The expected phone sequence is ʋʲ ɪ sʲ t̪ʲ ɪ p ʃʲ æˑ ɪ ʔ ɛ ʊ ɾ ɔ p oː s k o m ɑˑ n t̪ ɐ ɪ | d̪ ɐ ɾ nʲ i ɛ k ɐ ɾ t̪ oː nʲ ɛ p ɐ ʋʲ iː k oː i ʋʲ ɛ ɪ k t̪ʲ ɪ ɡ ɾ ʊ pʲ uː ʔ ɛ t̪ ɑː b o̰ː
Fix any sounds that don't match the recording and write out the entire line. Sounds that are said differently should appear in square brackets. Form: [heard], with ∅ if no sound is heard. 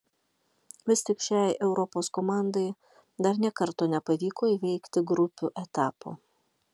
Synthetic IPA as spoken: ʋʲ ɪ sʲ t̪ʲ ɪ [k] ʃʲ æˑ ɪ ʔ ɛ ʊ ɾ ɔ p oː s k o m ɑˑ n [d̪] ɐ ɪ | d̪ ɐ ɾ nʲ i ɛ k ɐ ɾ t̪ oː nʲ ɛ p ɐ ʋʲ iː k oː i ʋʲ ɛ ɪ k t̪ʲ ɪ ɡ ɾ ʊ pʲ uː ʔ ɛ t̪ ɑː [p] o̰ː